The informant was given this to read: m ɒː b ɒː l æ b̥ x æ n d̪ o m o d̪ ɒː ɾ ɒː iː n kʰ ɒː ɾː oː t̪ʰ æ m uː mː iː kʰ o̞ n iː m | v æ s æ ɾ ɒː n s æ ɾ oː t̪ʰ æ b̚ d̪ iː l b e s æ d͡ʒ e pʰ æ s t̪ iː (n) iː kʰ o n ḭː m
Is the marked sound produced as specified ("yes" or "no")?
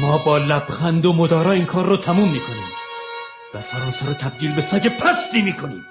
no